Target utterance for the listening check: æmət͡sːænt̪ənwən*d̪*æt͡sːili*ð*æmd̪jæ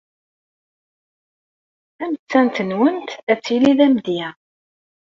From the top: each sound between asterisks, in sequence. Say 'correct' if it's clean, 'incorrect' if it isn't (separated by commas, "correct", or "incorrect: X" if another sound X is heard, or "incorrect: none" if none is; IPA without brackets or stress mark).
incorrect: t̪, correct